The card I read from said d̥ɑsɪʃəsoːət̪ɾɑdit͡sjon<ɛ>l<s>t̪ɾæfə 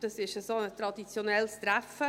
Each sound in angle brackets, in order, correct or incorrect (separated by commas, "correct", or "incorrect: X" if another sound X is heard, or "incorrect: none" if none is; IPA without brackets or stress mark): correct, correct